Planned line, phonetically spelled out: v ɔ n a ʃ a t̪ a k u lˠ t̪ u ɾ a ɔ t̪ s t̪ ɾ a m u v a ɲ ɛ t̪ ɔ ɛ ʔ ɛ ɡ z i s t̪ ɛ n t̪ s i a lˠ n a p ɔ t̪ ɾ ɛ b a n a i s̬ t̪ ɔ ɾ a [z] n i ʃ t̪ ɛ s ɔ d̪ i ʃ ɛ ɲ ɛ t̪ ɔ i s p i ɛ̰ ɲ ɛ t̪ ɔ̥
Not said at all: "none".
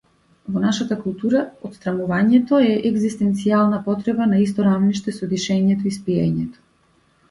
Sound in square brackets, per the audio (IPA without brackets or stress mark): v